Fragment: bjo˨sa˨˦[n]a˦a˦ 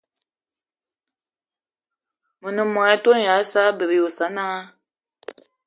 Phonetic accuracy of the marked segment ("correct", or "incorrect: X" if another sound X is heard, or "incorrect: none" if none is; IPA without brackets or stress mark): correct